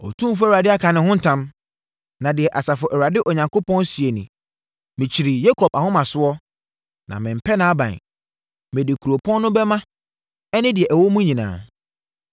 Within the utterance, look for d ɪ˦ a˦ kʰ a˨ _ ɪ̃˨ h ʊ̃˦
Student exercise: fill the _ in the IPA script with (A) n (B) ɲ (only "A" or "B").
A